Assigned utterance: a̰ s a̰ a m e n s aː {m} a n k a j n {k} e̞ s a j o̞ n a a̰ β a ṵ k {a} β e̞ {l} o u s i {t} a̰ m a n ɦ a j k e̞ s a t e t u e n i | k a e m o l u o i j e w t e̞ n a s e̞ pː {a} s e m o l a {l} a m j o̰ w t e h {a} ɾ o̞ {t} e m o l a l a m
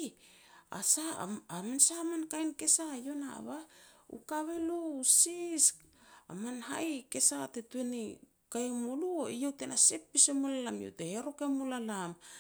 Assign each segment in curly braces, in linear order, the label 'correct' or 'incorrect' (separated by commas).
correct, correct, correct, correct, incorrect, incorrect, correct, incorrect, incorrect